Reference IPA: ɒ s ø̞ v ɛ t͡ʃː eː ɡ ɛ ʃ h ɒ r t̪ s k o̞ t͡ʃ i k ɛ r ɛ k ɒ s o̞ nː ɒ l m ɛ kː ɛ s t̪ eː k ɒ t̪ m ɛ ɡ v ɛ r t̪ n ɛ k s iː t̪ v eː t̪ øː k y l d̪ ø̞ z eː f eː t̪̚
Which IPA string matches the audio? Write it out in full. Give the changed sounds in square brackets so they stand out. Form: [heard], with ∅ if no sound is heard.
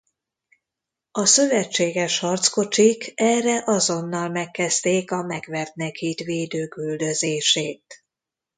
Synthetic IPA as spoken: ɒ s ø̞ v ɛ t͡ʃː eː ɡ ɛ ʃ h ɒ r t̪ s k o̞ t͡ʃ i k ɛ r ɛ [ʔ] ɒ [z] o̞ nː ɒ l m ɛ kː ɛ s t̪ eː k ɒ [∅] m ɛ ɡ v ɛ r t̪ n ɛ k [h] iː t̪ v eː [d̪] øː k y l d̪ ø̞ z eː [ʃ] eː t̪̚